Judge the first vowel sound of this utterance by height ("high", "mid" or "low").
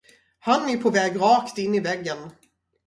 low